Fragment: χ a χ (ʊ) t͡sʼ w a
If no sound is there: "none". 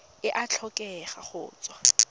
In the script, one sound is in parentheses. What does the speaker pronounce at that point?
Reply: ʊː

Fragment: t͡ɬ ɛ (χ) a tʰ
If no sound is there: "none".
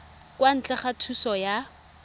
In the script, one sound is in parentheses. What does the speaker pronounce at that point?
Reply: χ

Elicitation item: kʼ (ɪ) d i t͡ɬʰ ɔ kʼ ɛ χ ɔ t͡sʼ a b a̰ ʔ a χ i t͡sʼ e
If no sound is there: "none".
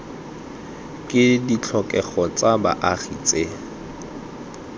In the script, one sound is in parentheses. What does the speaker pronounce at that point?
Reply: ɪ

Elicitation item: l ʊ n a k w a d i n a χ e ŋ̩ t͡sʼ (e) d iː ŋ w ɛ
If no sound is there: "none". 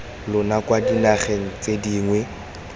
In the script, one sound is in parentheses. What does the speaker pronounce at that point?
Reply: e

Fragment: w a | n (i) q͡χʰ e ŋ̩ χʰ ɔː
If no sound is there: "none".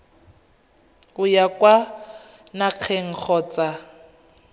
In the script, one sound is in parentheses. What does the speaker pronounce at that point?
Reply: a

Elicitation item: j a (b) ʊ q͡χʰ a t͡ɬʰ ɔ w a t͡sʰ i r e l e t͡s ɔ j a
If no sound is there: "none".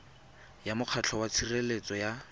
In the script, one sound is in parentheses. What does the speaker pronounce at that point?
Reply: m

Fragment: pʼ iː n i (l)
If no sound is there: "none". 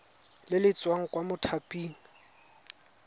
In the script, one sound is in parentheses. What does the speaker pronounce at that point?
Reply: none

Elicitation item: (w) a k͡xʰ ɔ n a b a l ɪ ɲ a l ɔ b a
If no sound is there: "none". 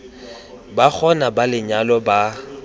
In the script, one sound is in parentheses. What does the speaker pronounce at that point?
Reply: b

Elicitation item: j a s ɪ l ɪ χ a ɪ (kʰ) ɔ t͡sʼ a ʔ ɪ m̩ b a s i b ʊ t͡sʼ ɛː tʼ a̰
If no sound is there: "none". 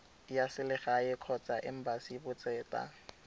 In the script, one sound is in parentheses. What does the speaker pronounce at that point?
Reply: kʰ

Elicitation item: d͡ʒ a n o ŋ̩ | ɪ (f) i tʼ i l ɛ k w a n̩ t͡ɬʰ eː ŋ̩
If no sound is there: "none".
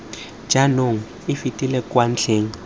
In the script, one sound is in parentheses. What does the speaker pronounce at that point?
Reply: f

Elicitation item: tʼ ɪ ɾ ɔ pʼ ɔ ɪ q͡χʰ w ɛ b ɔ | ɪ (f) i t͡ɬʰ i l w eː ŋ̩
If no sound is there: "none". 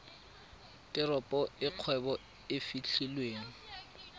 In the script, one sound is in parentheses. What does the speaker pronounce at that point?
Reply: f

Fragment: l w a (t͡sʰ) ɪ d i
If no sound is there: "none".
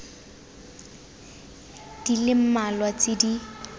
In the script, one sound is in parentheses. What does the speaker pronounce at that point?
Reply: t͡s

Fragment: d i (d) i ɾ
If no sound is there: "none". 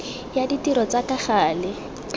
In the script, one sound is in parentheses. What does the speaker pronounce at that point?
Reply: t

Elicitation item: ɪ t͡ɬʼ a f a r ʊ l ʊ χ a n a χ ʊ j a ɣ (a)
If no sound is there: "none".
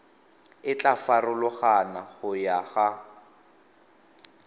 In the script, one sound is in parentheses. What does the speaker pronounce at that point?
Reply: a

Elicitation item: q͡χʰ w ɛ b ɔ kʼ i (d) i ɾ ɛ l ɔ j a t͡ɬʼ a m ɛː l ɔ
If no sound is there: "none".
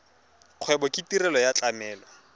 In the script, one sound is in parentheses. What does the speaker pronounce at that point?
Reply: t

